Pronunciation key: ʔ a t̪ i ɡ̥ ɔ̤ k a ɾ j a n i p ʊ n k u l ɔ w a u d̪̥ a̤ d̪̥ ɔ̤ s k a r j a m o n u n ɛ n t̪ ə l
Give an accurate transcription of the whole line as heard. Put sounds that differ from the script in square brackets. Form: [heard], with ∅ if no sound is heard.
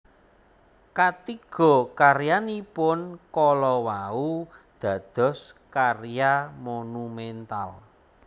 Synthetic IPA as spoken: [k] a t̪ i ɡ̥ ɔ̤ k a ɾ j a n i p ʊ n k [ɔ] l ɔ w a u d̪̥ a̤ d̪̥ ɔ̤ s k a r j a m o n u [m] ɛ n t̪ [a] l